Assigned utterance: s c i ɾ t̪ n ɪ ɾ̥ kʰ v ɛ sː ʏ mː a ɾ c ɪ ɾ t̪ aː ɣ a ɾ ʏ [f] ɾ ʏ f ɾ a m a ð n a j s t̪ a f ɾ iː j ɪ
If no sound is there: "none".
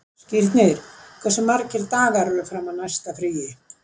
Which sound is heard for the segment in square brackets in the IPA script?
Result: none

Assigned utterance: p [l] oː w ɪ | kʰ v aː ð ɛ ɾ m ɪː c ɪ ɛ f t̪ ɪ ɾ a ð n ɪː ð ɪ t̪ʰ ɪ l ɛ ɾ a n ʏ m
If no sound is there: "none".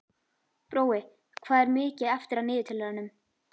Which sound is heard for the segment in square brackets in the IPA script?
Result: ɾ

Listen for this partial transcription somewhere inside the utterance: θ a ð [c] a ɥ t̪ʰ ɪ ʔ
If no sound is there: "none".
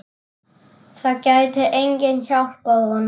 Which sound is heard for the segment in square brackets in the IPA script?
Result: c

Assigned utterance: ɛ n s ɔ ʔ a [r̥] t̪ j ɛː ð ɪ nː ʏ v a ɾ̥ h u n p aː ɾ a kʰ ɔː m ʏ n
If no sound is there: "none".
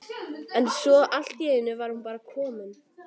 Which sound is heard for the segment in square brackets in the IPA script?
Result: l̥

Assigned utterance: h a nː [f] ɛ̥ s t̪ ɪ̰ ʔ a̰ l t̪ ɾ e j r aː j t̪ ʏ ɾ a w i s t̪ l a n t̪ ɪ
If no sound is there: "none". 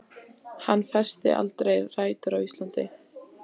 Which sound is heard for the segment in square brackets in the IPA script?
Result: f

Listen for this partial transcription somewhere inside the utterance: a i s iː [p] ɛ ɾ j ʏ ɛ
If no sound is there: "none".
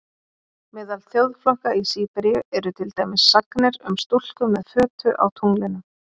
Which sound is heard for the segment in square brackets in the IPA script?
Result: p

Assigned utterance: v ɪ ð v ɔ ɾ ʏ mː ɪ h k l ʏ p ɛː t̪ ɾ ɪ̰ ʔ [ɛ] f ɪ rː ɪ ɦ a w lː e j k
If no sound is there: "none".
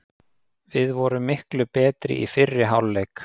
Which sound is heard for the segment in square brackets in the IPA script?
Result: i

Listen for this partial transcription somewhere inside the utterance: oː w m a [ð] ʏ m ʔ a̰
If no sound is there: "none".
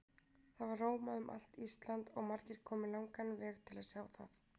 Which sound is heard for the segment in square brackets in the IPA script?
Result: ð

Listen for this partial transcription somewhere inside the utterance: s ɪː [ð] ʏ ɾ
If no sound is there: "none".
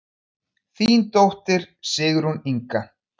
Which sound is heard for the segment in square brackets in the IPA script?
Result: ɣ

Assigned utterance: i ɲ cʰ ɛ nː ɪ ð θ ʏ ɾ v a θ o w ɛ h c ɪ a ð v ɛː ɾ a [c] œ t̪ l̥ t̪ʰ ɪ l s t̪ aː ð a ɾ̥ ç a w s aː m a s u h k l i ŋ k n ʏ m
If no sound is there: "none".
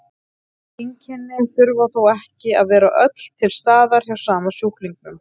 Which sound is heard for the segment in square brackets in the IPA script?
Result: ʔ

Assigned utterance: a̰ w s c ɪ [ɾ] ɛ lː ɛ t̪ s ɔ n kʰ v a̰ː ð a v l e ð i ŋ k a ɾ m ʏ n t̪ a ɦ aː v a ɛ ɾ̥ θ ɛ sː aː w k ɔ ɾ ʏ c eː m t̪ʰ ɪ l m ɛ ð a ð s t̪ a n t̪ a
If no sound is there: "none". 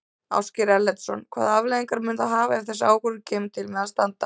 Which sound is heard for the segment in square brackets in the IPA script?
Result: ɾ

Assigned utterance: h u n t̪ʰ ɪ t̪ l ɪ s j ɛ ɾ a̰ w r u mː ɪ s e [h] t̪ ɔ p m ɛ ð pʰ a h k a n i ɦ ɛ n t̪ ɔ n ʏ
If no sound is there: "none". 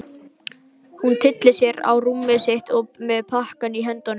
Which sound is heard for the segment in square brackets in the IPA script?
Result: h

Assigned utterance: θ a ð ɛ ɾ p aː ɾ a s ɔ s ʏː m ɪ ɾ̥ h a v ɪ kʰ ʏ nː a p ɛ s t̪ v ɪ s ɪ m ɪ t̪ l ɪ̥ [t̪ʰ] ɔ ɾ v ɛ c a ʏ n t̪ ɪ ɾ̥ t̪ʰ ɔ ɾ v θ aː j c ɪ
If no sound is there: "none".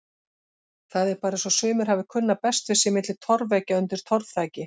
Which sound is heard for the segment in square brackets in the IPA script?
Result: t̪ʰ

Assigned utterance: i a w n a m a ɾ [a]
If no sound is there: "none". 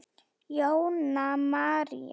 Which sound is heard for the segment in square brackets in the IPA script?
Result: i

